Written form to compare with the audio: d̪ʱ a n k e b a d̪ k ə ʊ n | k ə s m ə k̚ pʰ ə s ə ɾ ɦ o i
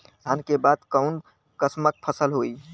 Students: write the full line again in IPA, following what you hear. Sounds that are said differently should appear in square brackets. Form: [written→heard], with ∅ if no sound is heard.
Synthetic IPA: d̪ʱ a n k e b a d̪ k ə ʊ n | k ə s m ə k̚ pʰ ə s ə [ɾ→l] ɦ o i